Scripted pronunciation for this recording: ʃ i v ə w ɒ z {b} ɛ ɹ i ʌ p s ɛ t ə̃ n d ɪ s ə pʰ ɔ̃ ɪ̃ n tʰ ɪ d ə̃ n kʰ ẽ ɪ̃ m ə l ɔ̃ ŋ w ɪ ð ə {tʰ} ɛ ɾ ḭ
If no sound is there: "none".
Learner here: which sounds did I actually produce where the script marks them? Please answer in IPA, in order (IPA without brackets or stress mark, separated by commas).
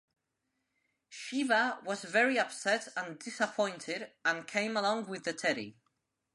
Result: v, tʰ